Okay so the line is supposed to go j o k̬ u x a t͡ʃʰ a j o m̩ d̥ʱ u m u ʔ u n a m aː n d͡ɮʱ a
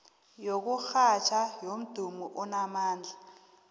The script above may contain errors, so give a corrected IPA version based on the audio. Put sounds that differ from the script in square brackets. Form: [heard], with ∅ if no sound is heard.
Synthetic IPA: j o k̬ u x a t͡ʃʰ a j o m̩ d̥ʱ u m u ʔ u n a m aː n d͡ɮʱ a

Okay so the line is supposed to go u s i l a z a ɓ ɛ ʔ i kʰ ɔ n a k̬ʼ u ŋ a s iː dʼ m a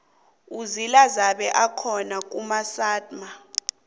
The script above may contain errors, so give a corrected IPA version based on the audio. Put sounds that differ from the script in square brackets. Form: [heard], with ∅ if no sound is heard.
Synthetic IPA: u [z] i l a z a ɓ ɛ ʔ [a] kʰ ɔ n a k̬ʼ u [m] a s [aː] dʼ m a

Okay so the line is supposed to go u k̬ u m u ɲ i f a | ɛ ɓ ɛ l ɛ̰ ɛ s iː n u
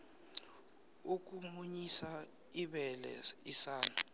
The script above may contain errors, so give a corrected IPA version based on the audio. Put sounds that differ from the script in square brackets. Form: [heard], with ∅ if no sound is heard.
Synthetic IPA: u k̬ u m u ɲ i [s] a | [i] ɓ ɛ l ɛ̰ [i] s [aː] n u

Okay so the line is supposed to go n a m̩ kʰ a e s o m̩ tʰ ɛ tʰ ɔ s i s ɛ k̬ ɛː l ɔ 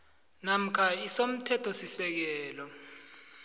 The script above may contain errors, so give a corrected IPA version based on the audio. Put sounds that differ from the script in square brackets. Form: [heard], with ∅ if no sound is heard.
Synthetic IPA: n a m̩ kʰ a [i] s o m̩ tʰ ɛ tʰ ɔ s i s ɛ k̬ ɛː l ɔ

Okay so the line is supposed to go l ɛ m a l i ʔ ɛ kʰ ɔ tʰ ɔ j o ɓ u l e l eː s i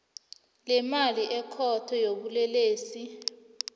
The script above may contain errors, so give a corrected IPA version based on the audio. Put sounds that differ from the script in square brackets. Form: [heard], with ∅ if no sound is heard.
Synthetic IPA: l ɛ m a l i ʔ ɛ kʰ ɔ tʰ ɔ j o ɓ u l [ɛ] l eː s i

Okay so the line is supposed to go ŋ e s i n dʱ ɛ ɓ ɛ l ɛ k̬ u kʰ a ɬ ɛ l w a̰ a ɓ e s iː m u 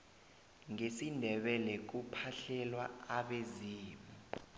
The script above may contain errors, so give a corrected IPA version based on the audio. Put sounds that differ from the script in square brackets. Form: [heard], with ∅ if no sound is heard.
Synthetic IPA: ŋ e s i n dʱ ɛ ɓ ɛ l ɛ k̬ u [pʰ] a ɬ ɛ l w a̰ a ɓ e [z] iː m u

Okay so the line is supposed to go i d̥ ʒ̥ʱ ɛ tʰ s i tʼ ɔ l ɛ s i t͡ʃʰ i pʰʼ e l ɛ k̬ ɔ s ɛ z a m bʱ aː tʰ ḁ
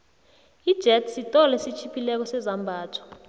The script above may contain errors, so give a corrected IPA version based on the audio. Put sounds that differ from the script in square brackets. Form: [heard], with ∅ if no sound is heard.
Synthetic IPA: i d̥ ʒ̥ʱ ɛ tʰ s i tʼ ɔ l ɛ s i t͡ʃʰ i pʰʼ [i] l ɛ k̬ ɔ s ɛ z a m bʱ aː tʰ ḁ

